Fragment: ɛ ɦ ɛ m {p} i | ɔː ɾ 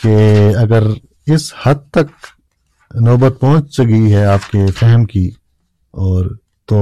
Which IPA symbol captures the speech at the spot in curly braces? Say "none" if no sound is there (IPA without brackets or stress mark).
k